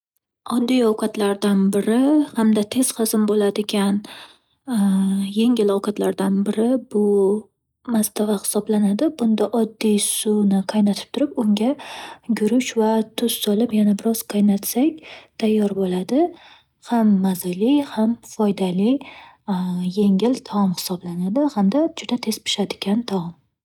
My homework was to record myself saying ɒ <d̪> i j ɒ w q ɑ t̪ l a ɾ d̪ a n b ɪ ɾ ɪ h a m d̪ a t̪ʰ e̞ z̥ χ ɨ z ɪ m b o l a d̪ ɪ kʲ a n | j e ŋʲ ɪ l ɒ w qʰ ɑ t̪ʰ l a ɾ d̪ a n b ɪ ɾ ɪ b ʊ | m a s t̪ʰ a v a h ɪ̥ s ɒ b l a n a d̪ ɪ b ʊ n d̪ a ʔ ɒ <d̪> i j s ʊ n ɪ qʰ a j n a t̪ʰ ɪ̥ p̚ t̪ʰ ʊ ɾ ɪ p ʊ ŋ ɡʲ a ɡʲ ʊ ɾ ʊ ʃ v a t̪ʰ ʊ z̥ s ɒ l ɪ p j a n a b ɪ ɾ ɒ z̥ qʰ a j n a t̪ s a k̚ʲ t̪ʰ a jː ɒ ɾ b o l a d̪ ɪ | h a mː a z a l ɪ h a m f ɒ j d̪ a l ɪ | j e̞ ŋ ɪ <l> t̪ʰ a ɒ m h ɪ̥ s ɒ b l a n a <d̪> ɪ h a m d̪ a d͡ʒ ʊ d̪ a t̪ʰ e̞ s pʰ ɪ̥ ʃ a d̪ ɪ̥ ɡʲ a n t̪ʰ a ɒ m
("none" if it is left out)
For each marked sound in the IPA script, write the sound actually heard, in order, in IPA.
d̪ː, d̪ː, l, d̪

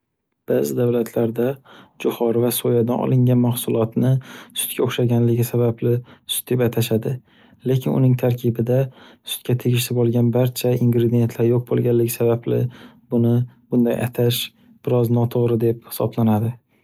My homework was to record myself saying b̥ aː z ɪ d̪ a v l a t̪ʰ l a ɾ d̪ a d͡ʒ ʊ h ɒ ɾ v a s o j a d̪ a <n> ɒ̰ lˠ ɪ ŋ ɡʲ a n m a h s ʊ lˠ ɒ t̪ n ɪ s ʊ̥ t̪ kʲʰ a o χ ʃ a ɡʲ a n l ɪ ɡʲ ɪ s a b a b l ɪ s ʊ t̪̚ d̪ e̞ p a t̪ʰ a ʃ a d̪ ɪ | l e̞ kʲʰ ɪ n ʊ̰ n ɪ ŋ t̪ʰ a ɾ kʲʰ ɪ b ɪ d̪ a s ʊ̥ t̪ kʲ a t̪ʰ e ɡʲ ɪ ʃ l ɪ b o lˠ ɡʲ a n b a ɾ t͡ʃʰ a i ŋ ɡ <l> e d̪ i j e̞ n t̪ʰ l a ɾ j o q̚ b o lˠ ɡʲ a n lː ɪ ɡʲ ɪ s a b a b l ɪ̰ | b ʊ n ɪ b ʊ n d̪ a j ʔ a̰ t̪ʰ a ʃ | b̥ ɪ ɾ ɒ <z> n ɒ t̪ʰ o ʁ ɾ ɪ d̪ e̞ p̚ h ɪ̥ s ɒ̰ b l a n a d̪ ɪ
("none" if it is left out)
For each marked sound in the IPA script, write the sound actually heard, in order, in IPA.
n, ɾ, z

